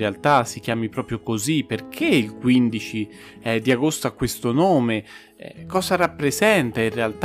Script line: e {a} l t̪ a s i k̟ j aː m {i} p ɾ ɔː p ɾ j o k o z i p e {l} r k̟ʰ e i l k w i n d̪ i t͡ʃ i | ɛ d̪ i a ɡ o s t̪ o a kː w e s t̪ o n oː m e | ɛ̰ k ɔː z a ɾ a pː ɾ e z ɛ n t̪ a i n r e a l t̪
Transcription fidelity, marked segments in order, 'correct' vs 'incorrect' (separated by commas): correct, correct, incorrect